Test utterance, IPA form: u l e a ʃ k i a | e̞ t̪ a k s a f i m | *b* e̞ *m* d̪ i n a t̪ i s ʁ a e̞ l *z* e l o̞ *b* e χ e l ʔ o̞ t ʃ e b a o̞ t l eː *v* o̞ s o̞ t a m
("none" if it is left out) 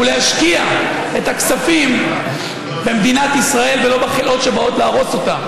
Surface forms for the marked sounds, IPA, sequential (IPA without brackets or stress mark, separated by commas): b, m, v, b, ʁ